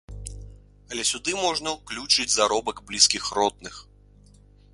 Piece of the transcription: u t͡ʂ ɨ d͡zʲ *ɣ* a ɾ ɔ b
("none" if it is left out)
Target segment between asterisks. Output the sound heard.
z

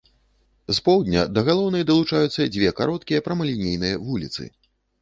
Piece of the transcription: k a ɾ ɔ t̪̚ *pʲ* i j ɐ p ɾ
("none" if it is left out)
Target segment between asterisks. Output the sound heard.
kʲ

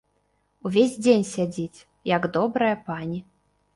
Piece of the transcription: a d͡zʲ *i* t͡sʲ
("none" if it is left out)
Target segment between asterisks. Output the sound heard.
i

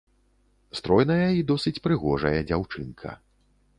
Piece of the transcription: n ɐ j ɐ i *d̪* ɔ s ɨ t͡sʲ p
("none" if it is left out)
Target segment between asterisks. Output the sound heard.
d̪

